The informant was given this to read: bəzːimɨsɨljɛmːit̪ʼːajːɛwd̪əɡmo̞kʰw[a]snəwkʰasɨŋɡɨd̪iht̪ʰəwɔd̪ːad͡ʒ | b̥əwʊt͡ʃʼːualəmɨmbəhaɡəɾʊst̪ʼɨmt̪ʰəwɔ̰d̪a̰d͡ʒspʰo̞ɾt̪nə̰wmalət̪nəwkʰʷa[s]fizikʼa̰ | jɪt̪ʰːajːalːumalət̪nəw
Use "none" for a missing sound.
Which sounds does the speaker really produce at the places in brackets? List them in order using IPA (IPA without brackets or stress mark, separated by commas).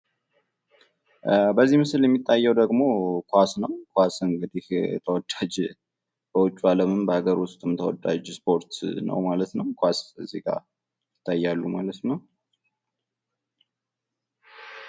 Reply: a, s